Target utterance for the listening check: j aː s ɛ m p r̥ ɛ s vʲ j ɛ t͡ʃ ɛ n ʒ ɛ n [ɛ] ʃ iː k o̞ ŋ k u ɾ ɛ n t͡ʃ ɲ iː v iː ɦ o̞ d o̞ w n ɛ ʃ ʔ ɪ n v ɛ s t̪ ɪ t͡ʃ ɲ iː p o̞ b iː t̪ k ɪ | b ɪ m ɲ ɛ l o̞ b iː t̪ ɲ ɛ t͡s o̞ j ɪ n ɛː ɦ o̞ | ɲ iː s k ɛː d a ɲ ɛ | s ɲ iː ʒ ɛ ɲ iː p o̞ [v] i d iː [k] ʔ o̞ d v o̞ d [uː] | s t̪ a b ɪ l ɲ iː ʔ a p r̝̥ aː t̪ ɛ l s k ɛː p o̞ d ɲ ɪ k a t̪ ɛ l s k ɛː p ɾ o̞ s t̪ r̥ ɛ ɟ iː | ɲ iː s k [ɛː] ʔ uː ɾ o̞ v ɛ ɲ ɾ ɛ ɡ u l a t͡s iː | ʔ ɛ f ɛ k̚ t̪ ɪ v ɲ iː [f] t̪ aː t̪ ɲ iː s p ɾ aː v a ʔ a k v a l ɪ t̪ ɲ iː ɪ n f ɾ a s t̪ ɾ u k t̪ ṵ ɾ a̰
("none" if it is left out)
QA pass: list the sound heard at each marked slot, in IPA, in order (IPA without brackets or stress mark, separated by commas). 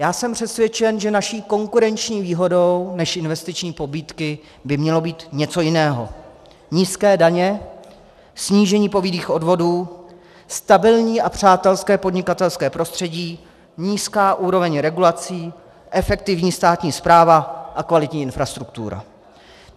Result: a, v, x, uː, aː, s